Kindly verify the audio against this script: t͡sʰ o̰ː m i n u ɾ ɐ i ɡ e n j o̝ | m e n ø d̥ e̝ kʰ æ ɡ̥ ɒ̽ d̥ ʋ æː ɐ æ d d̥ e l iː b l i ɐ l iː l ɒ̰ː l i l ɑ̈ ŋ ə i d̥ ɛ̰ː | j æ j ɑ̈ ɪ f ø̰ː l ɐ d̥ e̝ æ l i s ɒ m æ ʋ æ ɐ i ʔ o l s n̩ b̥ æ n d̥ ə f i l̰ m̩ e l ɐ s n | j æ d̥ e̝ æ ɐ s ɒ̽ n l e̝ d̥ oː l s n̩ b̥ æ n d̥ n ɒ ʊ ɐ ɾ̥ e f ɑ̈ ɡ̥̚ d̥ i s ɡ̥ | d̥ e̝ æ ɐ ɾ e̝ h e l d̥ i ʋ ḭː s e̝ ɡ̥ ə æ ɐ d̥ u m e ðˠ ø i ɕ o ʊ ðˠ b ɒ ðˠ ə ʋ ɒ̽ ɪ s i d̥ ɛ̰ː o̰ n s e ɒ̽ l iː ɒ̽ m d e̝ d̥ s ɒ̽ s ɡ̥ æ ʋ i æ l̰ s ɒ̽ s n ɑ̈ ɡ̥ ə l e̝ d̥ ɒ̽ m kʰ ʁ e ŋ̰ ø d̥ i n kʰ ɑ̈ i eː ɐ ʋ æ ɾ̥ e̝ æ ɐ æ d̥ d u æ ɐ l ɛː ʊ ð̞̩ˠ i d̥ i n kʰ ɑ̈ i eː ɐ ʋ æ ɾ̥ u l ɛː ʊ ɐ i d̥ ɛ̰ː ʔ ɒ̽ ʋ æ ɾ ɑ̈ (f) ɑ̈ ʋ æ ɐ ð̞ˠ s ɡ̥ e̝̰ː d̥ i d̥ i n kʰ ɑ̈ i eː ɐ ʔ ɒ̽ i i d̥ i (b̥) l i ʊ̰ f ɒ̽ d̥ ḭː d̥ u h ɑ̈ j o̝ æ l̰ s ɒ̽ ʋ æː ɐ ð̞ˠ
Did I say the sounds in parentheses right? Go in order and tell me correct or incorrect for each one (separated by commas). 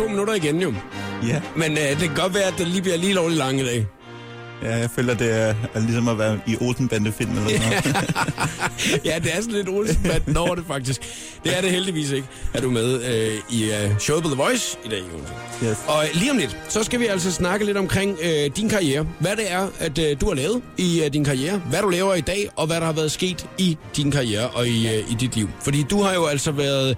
incorrect, incorrect